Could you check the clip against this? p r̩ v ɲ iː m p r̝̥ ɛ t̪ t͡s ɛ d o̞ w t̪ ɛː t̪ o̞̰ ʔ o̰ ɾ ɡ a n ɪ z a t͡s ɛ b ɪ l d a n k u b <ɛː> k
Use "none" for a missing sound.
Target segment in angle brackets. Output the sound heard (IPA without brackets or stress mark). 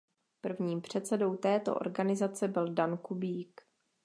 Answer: iː